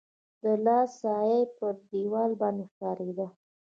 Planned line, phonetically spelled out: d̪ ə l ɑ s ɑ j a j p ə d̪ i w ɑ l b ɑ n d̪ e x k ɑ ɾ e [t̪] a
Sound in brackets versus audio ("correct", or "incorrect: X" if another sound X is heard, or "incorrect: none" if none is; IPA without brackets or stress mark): incorrect: d̪